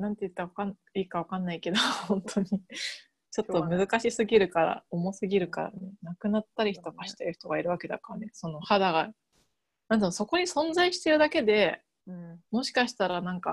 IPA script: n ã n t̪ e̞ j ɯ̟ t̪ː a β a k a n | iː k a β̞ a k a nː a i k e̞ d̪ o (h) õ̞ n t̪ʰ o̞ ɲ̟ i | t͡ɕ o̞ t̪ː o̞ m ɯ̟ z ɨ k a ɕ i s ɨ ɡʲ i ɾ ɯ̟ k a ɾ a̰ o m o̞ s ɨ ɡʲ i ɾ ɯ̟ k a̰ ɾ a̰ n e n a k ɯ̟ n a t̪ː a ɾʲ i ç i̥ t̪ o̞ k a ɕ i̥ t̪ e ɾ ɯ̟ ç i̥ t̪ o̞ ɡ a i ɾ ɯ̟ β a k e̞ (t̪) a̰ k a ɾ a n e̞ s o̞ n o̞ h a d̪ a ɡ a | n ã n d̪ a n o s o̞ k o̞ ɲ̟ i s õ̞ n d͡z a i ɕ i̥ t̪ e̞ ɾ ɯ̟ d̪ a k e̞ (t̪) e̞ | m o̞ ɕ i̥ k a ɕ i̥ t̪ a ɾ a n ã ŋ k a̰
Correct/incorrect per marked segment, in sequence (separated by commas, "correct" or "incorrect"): correct, incorrect, incorrect